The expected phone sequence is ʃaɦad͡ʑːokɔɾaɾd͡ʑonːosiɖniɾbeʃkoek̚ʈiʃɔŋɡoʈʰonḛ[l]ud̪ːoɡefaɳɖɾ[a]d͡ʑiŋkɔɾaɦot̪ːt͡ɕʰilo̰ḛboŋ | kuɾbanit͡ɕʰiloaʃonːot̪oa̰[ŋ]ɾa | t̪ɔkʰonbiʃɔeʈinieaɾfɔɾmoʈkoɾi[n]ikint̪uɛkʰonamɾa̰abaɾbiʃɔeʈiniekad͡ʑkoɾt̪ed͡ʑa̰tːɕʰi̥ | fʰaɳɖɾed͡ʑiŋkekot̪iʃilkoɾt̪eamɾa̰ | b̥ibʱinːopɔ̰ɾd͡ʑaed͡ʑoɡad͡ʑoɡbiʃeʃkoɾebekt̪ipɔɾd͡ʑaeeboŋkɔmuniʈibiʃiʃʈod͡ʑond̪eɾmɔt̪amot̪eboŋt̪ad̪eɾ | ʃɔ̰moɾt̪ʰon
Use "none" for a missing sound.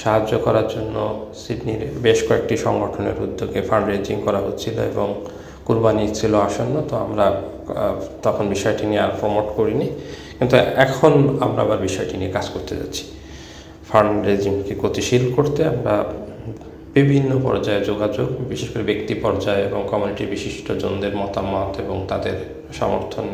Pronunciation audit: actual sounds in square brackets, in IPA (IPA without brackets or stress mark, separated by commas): ɾ, e, m, n